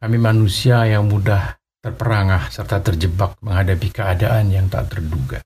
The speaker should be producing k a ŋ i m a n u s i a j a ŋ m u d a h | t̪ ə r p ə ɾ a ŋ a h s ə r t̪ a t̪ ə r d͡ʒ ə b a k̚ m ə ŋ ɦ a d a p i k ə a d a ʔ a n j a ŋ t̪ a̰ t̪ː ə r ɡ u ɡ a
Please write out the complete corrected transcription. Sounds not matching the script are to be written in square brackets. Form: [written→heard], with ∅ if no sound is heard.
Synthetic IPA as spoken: k a [ŋ→m] i m a n u s i a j a ŋ m u d a h | t̪ ə r p ə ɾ a ŋ a h s ə r t̪ a t̪ ə r d͡ʒ ə b a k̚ m ə ŋ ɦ a d a p i k ə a d a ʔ a n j a ŋ t̪ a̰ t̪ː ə r [ɡ→d] u ɡ a